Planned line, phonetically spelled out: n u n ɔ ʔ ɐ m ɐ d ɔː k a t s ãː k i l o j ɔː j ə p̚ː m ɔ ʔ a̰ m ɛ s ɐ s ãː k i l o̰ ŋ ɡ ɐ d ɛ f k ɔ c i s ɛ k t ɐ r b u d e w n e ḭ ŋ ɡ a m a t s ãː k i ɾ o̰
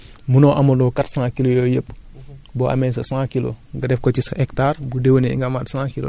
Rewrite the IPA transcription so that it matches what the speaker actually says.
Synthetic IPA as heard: m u n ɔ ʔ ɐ m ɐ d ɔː k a t s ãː k i l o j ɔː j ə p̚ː b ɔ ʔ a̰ m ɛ s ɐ s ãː k i l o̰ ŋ ɡ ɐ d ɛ f k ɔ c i s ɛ k t a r b u d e w n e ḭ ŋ ɡ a m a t s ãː k i l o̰